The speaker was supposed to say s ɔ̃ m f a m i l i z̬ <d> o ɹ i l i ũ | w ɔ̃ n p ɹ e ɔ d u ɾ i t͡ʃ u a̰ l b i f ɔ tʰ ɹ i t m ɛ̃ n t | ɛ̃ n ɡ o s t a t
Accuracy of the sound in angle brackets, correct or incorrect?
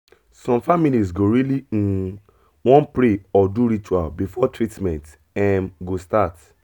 incorrect: ɡ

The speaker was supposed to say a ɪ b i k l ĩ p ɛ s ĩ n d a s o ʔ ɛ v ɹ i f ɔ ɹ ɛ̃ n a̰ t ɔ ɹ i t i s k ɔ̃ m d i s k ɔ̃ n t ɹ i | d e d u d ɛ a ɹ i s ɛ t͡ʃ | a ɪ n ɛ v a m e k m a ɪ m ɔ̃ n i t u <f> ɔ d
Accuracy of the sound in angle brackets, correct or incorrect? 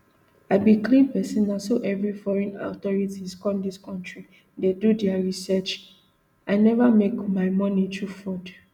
correct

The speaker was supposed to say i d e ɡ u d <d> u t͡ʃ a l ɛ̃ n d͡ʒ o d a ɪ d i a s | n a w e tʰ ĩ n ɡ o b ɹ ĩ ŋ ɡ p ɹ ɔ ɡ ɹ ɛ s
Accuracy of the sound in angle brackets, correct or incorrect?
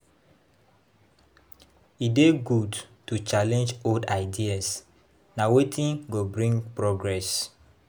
incorrect: t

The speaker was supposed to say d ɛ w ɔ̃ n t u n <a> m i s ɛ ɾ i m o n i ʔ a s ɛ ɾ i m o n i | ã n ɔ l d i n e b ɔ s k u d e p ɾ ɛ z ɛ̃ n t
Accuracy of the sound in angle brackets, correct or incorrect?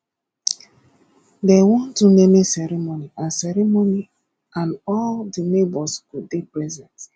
incorrect: e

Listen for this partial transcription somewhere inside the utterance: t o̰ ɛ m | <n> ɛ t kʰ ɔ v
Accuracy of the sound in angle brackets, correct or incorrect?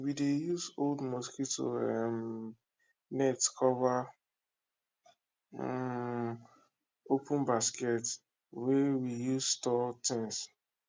correct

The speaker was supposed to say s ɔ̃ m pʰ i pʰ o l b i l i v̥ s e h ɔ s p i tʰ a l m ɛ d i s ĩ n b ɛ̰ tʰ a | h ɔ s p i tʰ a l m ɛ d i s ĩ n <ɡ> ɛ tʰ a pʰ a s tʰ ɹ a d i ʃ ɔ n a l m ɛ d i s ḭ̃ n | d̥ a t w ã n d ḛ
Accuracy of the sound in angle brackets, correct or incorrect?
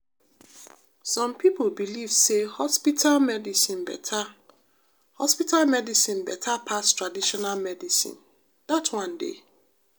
incorrect: b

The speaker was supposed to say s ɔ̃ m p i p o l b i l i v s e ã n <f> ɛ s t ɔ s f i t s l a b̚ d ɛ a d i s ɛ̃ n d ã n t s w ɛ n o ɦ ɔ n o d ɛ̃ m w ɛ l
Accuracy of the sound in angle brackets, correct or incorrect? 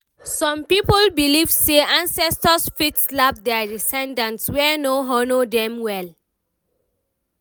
incorrect: s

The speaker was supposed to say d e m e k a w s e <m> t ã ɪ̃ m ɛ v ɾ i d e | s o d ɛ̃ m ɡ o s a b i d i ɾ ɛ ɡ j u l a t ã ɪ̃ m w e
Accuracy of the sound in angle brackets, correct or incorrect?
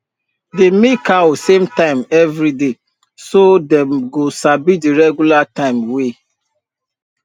correct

